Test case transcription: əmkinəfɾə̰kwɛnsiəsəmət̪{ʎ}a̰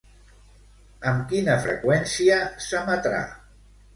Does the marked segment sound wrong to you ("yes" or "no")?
yes